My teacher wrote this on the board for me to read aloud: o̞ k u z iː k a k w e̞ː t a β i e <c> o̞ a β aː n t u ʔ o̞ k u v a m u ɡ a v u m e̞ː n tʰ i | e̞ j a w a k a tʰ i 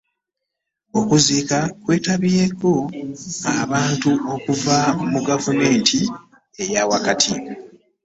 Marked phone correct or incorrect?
incorrect